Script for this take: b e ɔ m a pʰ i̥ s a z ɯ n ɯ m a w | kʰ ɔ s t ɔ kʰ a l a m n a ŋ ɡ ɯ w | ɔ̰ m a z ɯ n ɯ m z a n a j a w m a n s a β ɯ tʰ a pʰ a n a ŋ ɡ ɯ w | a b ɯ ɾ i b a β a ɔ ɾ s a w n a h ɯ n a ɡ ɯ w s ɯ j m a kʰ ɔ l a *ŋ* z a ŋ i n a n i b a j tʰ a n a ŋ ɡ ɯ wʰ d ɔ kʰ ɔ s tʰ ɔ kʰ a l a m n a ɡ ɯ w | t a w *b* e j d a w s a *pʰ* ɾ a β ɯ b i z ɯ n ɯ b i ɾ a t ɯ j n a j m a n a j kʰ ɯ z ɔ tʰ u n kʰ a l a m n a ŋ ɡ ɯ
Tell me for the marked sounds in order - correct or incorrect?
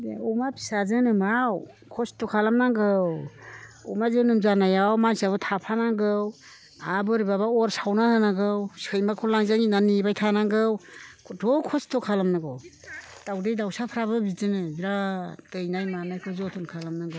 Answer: correct, incorrect: d, correct

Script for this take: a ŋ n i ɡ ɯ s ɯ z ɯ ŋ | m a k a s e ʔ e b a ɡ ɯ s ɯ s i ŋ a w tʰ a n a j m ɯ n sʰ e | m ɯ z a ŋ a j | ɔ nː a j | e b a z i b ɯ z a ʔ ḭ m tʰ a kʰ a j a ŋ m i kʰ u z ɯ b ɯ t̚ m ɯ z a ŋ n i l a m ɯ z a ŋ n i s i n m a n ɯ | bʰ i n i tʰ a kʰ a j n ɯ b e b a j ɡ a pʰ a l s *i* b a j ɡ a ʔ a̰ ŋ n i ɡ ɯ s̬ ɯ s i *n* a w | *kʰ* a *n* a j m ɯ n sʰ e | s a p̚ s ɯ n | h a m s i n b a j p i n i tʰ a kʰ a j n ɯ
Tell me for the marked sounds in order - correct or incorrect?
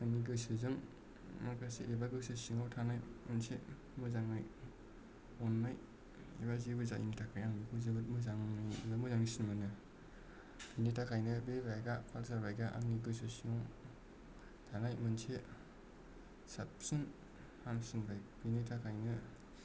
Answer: incorrect: a, incorrect: ŋ, incorrect: tʰ, correct

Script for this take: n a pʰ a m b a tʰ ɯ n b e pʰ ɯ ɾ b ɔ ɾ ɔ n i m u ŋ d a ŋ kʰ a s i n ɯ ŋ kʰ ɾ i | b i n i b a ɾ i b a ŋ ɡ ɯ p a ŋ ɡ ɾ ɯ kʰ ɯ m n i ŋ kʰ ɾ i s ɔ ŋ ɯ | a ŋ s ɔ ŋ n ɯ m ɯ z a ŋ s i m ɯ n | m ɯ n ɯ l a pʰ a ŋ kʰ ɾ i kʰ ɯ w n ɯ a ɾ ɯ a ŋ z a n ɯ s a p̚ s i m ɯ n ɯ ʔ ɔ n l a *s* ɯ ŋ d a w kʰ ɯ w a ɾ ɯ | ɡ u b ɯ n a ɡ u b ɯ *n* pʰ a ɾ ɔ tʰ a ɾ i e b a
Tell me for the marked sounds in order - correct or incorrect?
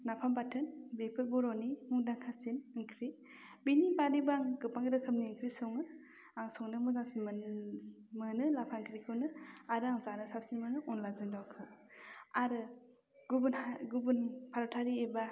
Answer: incorrect: z, correct

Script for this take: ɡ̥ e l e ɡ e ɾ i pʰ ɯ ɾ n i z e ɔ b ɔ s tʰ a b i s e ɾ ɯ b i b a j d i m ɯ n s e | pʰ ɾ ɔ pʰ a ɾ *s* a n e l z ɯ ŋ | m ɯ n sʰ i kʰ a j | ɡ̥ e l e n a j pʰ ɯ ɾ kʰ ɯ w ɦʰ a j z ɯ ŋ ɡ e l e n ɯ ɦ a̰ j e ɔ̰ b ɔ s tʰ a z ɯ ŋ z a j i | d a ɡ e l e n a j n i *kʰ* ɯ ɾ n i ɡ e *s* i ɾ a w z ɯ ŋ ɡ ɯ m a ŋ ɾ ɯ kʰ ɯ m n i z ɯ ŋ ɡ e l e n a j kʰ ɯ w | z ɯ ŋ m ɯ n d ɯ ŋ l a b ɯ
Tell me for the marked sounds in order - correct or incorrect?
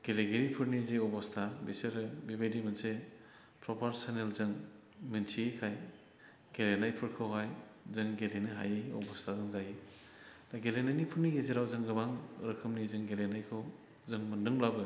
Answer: correct, incorrect: pʰ, incorrect: z

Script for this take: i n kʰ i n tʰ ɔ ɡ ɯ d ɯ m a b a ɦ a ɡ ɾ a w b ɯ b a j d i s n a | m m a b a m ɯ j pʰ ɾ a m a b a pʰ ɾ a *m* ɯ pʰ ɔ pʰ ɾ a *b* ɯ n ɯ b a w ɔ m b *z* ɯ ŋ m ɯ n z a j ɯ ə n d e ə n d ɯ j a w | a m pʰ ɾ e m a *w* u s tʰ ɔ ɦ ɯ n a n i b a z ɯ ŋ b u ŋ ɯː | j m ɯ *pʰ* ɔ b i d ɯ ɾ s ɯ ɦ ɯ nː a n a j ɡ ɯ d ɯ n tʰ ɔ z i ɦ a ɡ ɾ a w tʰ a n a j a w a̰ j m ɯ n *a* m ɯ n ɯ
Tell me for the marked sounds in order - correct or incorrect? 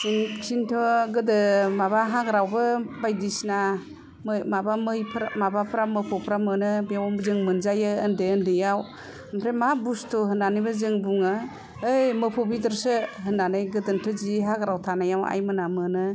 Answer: correct, incorrect: m, correct, incorrect: b, correct, correct

